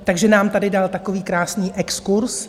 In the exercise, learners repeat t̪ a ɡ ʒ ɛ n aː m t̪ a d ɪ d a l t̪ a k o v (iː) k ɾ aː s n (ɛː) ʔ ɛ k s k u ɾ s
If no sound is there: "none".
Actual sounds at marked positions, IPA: iː, iː

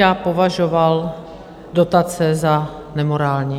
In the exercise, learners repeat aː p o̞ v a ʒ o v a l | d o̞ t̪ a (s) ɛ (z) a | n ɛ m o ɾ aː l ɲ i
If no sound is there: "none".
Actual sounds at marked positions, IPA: t͡s, z

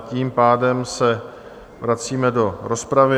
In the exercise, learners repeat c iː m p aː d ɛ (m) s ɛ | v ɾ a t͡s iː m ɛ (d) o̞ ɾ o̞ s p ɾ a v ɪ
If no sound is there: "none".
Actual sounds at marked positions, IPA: m, d

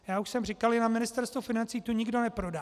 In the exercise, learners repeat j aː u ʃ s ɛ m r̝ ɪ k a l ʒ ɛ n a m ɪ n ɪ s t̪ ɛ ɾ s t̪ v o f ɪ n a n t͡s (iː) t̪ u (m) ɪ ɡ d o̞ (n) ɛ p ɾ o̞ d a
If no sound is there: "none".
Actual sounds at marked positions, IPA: iː, ɲ, n

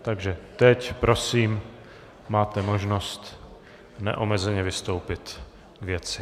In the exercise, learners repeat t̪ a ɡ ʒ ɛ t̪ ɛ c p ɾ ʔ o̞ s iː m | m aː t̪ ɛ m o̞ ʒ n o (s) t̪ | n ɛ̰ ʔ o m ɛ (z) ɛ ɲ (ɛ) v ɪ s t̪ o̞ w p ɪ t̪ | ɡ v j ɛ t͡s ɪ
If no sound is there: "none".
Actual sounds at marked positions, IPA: s, z, ɛ

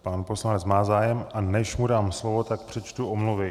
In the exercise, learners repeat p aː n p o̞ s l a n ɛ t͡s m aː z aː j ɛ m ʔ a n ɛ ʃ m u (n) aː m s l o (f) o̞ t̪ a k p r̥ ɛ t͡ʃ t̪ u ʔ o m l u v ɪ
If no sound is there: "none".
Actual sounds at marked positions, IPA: d, v

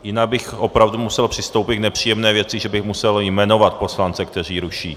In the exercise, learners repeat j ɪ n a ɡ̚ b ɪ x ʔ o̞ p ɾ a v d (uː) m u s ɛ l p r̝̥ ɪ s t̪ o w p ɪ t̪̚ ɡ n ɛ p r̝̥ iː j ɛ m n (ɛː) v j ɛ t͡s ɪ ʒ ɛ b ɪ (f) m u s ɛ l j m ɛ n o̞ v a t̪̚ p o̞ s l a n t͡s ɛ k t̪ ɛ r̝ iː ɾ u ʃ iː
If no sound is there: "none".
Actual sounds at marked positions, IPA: u, ɛː, x

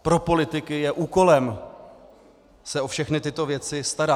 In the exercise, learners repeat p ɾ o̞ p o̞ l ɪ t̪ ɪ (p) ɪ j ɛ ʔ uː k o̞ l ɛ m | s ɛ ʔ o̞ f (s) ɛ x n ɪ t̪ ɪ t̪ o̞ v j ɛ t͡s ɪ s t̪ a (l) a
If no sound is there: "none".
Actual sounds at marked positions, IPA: k, ʃ, ɾ

